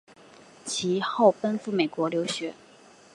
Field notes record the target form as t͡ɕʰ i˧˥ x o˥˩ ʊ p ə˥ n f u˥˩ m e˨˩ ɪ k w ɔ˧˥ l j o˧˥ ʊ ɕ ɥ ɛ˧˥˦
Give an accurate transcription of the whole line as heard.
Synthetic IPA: t͡ɕʰ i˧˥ x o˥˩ ʊ p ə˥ n f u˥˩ m e˨˩ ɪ k w ɔ˧˥ l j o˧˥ ʊ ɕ ɥ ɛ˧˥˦